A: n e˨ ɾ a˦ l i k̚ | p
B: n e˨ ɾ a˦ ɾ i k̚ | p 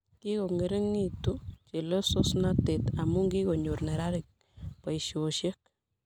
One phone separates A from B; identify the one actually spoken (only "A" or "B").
B